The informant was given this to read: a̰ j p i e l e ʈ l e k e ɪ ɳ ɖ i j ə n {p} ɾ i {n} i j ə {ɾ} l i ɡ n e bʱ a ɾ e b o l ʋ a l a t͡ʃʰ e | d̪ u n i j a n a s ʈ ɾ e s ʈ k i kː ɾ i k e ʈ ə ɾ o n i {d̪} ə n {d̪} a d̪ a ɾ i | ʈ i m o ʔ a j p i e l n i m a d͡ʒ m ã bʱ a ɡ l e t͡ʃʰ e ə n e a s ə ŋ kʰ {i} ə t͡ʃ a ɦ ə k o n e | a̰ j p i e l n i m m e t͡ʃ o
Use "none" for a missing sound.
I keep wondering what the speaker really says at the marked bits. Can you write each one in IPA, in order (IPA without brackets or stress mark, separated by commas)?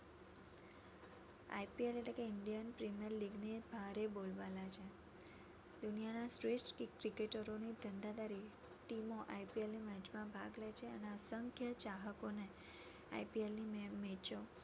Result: p, m, ɾ, d̪, d̪, j